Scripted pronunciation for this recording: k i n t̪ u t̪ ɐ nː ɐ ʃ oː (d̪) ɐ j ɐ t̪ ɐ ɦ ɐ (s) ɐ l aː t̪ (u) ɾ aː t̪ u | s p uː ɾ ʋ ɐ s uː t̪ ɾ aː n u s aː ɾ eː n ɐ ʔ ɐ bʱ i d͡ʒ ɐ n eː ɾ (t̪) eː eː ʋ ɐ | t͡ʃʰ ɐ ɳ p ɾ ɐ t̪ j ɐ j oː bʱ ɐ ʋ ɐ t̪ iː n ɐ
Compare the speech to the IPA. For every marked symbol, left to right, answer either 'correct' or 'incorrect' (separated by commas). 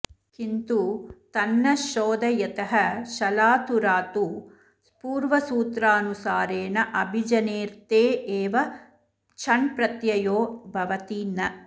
correct, incorrect, correct, correct